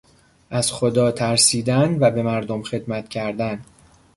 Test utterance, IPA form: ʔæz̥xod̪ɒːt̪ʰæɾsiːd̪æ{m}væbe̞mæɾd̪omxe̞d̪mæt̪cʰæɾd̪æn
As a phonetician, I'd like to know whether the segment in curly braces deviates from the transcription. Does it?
yes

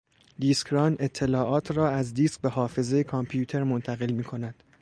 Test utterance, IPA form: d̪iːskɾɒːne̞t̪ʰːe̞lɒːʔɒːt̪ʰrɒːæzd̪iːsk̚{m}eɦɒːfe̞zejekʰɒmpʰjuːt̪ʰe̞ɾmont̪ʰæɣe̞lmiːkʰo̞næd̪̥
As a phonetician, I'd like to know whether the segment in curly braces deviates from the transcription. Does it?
yes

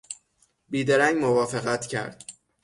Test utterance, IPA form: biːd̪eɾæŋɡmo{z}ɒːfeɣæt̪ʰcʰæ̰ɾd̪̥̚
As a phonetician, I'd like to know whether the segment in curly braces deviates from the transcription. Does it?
yes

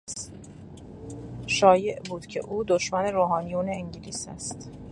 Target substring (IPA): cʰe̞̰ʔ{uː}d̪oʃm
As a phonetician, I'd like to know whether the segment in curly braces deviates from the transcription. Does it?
no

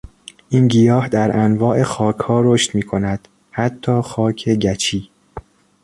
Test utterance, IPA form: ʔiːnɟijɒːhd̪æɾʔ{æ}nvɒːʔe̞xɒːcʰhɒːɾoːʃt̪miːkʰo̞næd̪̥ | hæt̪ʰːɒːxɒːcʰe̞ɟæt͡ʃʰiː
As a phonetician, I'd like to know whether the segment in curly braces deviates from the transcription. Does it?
no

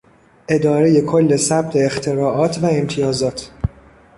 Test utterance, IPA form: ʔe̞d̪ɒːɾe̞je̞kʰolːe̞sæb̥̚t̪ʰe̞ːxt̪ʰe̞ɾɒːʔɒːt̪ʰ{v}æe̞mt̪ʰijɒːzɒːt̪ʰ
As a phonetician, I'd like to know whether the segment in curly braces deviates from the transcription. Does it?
no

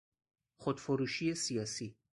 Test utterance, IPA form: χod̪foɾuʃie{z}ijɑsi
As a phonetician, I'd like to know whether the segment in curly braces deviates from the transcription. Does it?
yes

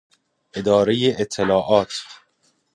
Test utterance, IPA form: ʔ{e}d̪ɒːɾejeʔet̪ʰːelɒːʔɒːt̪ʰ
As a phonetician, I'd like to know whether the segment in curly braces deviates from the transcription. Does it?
no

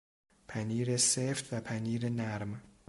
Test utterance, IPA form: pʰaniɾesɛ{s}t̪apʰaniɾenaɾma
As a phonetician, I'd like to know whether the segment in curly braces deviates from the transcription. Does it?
yes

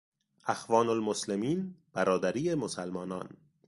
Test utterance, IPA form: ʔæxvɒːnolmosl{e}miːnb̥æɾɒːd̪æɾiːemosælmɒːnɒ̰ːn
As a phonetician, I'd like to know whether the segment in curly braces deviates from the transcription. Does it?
no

